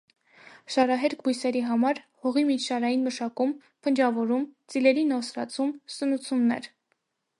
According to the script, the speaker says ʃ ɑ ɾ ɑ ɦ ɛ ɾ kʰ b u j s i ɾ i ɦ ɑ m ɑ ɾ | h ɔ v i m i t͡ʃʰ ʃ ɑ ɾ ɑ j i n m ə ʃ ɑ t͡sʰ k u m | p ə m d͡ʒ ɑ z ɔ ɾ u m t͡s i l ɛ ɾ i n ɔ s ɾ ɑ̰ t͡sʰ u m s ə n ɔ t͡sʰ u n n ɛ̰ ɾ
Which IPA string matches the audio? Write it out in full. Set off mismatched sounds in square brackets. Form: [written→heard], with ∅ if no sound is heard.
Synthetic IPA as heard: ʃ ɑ ɾ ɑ ɦ ɛ ɾ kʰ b u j s [i→ɛ] ɾ i ɦ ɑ m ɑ ɾ | h ɔ [v→ʁ] i m i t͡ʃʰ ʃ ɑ ɾ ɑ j i n m ə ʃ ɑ [t͡sʰ→∅] k u m | [p→pʰ] ə [m→n] d͡ʒ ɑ [z→v] ɔ ɾ u m t͡s i l ɛ ɾ i n ɔ s ɾ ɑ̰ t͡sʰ u m s ə n [ɔ→u] t͡sʰ u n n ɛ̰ ɾ

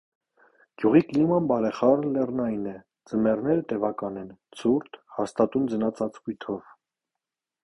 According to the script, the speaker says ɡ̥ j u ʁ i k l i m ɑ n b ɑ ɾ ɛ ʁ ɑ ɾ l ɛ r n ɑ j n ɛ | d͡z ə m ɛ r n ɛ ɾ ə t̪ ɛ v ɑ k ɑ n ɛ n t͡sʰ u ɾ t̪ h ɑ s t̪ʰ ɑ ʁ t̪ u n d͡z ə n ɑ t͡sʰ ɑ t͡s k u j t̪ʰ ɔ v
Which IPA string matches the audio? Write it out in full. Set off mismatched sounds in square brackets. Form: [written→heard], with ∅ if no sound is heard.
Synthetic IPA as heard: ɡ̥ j u ʁ i k l i m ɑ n b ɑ ɾ ɛ [ʁ→χ] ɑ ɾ l ɛ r n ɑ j n ɛ | d͡z ə m ɛ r n ɛ ɾ ə t̪ ɛ v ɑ k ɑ n ɛ n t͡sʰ u ɾ t̪ h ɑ s [t̪ʰ→t̪] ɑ [ʁ→∅] t̪ u n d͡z ə n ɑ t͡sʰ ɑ t͡s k u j t̪ʰ ɔ v

